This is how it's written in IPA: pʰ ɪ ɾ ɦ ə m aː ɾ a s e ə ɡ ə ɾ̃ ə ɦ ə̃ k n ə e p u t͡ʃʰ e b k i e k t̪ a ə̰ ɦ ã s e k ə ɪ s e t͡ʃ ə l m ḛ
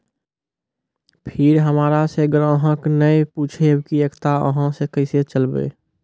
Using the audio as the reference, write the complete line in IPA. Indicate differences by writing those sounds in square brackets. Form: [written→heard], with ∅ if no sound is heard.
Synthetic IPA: pʰ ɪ ɾ ɦ ə m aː ɾ a s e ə ɡ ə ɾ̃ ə ɦ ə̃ k n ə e p u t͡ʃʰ e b k i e k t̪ a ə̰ ɦ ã s e k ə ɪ s e t͡ʃ ə l [m→b] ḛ